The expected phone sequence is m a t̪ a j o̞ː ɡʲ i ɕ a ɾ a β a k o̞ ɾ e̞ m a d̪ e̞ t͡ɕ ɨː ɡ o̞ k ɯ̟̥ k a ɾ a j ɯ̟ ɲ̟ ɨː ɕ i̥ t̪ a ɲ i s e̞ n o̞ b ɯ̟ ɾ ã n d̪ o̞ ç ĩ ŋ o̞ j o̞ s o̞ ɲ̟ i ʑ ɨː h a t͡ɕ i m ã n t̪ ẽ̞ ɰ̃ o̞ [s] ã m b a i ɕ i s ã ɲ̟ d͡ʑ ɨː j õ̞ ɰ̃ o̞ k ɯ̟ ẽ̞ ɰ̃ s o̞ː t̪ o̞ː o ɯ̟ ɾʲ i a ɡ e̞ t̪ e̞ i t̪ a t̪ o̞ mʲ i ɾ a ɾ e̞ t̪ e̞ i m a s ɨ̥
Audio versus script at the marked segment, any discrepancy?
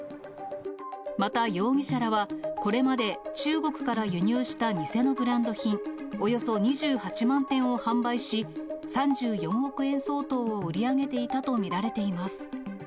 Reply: yes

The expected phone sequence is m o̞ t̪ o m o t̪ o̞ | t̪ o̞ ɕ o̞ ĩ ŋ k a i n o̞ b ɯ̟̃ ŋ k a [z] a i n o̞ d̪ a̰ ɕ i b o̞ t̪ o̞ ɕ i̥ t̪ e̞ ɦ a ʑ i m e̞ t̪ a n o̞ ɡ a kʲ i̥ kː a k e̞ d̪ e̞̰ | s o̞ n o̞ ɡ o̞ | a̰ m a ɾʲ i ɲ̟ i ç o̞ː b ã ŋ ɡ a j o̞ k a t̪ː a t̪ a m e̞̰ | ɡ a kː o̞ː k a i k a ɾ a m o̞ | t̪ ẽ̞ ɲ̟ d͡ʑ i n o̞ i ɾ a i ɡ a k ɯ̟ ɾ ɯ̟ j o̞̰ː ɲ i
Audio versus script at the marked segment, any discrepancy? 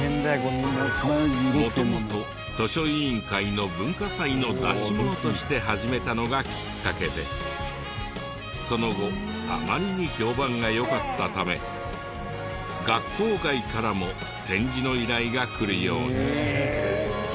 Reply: yes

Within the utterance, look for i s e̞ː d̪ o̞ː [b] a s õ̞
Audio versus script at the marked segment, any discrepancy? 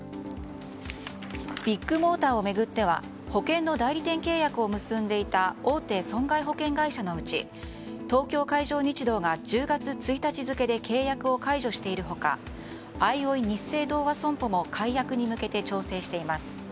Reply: yes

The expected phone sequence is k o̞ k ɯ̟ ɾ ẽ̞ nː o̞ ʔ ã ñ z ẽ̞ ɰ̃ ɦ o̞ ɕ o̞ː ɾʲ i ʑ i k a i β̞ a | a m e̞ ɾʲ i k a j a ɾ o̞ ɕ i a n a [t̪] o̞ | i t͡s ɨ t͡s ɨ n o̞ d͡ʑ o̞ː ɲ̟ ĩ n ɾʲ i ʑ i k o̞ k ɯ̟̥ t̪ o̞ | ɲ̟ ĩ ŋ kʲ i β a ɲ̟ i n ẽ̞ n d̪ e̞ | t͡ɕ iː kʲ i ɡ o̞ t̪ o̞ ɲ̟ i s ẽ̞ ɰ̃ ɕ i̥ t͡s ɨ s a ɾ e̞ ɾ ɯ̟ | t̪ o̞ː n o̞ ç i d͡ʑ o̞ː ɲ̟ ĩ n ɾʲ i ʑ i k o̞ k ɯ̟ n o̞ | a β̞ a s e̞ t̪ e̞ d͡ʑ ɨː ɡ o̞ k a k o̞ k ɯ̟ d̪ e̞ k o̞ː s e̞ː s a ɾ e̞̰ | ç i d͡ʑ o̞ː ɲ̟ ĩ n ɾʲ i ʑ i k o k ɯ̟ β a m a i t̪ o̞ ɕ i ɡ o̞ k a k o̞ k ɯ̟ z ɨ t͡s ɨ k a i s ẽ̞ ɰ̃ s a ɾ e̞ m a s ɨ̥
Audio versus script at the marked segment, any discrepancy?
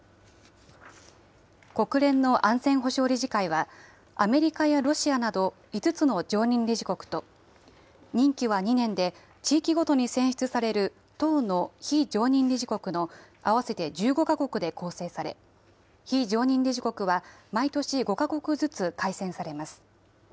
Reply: yes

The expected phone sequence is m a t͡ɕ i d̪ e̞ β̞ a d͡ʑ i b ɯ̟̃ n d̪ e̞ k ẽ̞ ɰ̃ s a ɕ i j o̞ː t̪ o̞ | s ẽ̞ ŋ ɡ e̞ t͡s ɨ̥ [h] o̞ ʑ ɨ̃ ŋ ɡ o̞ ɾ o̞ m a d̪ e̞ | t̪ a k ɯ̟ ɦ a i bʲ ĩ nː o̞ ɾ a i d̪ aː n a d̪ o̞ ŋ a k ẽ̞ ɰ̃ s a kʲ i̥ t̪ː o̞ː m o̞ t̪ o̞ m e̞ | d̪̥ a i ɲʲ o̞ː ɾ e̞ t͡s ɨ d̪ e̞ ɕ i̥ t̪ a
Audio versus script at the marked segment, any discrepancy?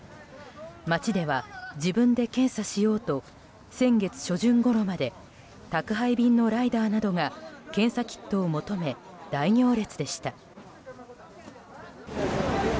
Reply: yes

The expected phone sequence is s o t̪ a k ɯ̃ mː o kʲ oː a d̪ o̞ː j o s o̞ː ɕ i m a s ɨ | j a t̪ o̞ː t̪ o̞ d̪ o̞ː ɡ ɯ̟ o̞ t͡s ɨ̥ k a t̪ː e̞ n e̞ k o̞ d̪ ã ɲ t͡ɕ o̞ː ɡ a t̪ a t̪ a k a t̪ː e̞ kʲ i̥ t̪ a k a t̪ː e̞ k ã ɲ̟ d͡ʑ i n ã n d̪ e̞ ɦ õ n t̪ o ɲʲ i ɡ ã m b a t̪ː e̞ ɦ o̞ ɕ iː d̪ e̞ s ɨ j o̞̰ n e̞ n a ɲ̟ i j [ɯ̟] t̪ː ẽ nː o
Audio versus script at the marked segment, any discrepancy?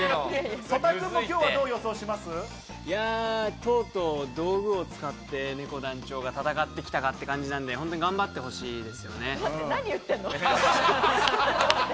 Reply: no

